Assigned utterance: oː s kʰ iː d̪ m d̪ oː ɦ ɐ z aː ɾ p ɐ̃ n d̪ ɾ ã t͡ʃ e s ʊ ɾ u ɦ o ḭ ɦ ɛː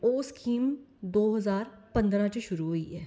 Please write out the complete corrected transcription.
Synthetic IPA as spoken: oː s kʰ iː m d̪ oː ɦ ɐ z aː ɾ p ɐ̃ n d̪ ɾ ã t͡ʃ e ʃ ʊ ɾ u ɦ o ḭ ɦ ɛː

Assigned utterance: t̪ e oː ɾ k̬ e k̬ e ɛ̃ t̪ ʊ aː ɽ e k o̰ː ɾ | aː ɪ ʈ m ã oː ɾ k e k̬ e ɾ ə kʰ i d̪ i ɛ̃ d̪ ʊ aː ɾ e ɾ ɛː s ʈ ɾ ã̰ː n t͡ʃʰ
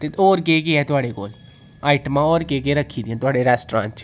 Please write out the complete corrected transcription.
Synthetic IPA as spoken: t̪ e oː ɾ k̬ e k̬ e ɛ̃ t̪ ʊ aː ɽ e k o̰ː l | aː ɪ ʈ m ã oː ɾ k e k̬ e ɾ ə kʰ i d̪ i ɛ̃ t̪ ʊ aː ɽ e ɾ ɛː s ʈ ɾ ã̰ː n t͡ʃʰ

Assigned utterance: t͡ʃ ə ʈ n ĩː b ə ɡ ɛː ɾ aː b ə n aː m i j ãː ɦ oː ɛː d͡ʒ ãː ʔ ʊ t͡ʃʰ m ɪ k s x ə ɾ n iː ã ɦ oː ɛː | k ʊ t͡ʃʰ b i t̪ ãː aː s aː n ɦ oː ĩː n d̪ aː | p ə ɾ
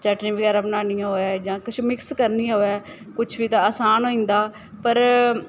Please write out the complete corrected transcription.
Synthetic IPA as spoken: t͡ʃ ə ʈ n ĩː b ə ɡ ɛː ɾ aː b ə n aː n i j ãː ɦ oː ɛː d͡ʒ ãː k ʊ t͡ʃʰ m ɪ k s k ə ɾ n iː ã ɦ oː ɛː | k ʊ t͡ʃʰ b iː t̪ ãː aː s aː n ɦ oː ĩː n d̪ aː | p ə ɾ

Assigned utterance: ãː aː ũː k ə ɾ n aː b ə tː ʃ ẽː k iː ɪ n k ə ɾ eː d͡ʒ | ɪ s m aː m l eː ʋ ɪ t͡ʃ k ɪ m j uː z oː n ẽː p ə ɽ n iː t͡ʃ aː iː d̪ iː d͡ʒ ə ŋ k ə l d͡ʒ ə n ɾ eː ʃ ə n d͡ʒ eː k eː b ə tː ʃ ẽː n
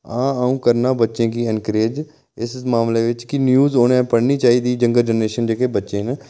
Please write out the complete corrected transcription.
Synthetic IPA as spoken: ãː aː ũː k ə ɾ n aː b ə tː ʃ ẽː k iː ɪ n k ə ɾ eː d͡ʒ | ɪ s m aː m l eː ʋ ɪ t͡ʃ k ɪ n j uː z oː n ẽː p ə ɽ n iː t͡ʃ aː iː d̪ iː d͡ʒ ə ŋ ɡ ə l d͡ʒ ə n ɾ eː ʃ ə n d͡ʒ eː k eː b ə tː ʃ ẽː n

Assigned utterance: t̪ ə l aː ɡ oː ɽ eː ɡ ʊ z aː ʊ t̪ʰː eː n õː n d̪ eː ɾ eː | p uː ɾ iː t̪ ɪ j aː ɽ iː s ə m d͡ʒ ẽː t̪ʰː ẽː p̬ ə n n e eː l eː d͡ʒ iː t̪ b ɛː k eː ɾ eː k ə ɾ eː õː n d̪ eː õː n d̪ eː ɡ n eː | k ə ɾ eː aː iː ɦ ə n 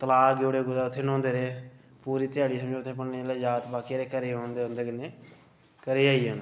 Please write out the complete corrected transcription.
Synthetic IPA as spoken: t̪ ə l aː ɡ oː ɽ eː ɡ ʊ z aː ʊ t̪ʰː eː n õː n d̪ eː ɾ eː | p uː ɾ iː t̪ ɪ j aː ɽ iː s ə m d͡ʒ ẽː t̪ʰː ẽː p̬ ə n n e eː l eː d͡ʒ aː t̪ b aː k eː ɾ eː k ə ɾ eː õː n d̪ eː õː n d̪ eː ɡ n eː | k ə ɾ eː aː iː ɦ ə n

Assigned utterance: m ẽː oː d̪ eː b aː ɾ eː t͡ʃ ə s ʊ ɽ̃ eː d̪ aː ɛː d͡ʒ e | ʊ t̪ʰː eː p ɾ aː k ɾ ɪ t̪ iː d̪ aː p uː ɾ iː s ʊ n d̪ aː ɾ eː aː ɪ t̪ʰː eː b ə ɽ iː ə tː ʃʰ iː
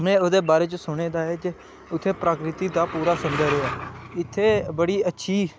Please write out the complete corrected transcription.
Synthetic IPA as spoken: m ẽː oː d̪ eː b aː ɾ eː t͡ʃ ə s ʊ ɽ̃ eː d̪ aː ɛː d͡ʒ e | ʊ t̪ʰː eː p ɾ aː k ɾ ɪ t̪ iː d̪ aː p uː ɾ aː s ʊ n d̪ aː ɾ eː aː ɪ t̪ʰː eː b ə ɽ iː ə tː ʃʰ iː

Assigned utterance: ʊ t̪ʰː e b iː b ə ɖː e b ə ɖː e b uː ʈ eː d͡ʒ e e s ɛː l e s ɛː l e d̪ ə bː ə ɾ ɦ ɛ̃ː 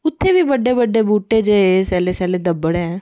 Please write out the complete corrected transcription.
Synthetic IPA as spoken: ʊ t̪ʰː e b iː b ə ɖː e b ə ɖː e b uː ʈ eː d͡ʒ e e s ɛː l e s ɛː l e d̪ ə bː ə ɽ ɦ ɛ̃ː

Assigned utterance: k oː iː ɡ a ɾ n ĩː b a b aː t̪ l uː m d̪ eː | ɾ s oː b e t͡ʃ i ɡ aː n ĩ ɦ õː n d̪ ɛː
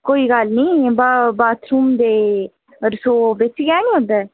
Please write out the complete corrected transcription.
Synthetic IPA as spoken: k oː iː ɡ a l n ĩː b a b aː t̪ ɾ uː m d̪ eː | ɾ s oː b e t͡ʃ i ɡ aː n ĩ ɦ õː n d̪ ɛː

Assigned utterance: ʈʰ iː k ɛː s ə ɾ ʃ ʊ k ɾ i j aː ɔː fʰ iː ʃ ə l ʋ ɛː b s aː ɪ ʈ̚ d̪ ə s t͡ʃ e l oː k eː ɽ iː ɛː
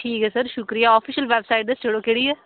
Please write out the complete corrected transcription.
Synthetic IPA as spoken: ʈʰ iː k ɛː s ə ɾ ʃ ʊ k ɾ i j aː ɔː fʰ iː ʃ ə l ʋ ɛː b s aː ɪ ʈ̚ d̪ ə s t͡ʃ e ɽ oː k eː ɽ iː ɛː

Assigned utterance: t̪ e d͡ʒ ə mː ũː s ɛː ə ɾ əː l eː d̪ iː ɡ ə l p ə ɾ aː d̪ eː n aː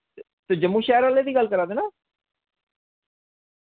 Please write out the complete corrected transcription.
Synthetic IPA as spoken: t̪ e d͡ʒ ə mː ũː ʃ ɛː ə ɾ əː l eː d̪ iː ɡ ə l k ə ɾ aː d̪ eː n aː

